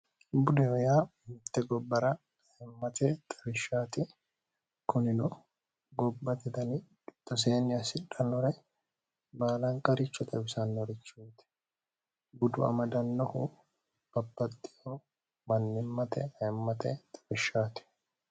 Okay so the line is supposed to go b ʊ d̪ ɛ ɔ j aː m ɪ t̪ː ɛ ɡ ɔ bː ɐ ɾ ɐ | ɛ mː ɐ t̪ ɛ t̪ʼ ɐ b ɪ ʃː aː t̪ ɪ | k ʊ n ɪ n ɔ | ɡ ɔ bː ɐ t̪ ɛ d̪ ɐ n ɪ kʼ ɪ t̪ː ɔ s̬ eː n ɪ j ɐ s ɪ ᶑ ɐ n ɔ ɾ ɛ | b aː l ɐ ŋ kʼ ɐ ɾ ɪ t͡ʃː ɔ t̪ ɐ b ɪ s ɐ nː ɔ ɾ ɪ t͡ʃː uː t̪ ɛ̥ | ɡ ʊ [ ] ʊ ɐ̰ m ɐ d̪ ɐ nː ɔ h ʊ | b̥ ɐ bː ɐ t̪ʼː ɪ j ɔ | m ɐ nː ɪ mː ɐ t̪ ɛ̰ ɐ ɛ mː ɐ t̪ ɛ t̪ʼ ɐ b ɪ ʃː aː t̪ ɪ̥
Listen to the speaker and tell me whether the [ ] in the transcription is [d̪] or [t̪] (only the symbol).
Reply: d̪